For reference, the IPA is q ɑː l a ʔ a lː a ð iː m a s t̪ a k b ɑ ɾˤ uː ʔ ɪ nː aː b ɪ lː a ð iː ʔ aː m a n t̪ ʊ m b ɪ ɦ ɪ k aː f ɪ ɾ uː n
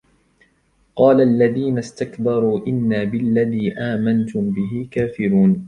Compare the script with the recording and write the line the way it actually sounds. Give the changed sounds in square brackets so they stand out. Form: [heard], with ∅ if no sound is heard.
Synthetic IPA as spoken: q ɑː l a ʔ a lː a ð iː [n] a s t̪ a k b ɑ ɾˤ uː ʔ ɪ nː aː b ɪ lː a ð iː ʔ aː m a n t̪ ʊ m b ɪ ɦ ɪ k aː f ɪ ɾ uː n